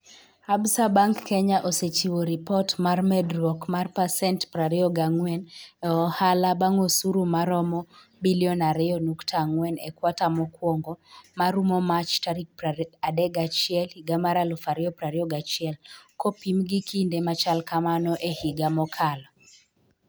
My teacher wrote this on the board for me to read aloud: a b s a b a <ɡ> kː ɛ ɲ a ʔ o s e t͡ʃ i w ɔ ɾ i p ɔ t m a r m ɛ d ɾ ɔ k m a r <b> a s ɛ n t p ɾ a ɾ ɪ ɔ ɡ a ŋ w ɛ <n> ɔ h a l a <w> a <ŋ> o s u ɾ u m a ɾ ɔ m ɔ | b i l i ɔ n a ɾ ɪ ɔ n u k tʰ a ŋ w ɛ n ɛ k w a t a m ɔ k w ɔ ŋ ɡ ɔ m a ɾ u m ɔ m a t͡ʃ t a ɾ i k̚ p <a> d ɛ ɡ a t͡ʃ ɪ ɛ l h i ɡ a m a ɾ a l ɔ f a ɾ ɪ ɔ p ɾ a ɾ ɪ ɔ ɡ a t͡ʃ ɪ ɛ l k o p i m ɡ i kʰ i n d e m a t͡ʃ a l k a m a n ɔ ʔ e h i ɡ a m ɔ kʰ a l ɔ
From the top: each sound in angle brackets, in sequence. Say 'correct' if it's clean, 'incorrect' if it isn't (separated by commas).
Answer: incorrect, incorrect, correct, incorrect, correct, correct